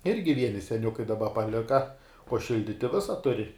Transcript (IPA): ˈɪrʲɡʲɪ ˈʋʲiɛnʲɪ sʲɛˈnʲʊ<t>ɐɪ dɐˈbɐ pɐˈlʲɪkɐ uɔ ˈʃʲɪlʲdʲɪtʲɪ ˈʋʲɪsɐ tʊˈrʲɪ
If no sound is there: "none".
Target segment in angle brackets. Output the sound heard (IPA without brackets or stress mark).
k